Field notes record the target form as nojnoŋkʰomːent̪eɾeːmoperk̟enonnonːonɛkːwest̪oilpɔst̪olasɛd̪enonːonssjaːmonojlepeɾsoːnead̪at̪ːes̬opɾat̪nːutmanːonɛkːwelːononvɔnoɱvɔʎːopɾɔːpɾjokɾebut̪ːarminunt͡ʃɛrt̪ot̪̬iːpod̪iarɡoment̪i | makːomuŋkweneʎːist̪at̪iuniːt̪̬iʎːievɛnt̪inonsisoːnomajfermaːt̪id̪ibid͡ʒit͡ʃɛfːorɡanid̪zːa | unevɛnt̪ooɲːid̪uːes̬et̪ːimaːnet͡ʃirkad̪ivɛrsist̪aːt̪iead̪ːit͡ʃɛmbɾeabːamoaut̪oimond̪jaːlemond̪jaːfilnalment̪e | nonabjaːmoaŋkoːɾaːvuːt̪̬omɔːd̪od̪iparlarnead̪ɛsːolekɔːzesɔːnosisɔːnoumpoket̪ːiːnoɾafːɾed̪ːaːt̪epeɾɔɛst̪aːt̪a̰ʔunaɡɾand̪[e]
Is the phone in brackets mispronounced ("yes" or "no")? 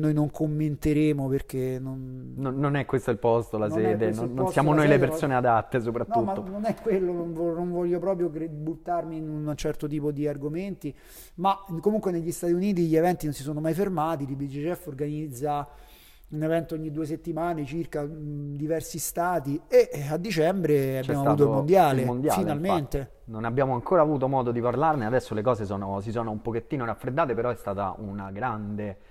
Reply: no